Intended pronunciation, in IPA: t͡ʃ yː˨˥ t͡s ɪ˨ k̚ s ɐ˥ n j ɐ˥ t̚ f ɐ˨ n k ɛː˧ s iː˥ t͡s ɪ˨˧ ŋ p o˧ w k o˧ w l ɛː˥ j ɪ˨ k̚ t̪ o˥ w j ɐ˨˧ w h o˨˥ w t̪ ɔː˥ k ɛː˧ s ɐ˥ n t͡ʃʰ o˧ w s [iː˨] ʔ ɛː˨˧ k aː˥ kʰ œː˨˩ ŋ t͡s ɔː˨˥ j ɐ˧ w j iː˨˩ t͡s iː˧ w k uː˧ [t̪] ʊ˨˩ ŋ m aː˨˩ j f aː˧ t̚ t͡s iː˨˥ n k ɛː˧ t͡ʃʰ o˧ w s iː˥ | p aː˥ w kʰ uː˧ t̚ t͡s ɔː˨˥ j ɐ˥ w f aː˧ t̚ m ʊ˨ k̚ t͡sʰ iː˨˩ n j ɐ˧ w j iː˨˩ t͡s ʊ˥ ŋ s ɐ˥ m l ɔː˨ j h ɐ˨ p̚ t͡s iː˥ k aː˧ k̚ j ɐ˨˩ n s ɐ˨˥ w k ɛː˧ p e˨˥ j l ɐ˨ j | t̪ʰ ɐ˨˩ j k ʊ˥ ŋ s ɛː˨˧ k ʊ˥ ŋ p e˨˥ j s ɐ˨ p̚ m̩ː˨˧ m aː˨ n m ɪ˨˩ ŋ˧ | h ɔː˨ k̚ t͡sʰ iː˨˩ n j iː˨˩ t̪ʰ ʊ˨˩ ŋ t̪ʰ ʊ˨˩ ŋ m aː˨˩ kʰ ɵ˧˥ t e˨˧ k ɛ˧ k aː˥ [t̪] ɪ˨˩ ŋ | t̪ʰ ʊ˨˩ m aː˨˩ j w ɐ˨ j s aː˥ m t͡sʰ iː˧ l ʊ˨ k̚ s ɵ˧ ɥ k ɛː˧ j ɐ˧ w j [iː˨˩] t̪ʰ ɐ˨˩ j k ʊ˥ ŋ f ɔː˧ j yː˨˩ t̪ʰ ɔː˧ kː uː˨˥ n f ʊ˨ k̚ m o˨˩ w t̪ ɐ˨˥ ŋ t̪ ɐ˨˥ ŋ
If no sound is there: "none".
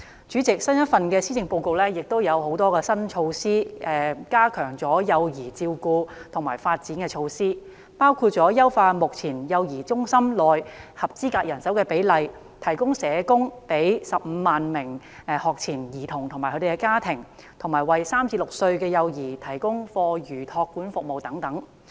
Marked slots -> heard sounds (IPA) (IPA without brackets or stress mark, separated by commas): iː˥, t̪ʰ, t̪ʰ, iː˨˩